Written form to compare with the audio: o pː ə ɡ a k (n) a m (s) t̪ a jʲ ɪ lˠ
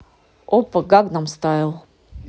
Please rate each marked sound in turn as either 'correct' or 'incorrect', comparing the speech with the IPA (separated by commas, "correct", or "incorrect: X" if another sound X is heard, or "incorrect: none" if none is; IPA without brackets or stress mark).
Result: correct, correct